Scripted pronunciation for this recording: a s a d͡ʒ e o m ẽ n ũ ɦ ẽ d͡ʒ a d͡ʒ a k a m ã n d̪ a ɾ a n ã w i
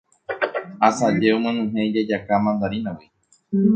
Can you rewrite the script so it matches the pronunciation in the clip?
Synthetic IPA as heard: a s a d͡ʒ e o m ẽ n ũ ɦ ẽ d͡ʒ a d͡ʒ a k a m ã n d̪ a ɾ i n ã w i